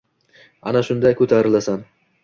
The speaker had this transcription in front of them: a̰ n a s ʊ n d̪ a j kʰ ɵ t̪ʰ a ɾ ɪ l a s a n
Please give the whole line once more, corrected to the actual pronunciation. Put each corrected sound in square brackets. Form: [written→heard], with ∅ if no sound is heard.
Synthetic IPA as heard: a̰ n a [s→ʃ] ʊ n d̪ a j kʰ ɵ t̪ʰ a ɾ ɪ l a s a n